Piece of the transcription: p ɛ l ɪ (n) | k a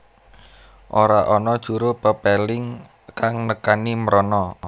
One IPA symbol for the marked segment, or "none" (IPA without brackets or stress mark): ŋ